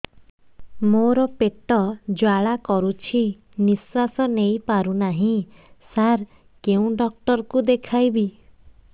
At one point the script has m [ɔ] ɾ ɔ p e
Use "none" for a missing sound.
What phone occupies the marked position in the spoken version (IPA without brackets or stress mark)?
o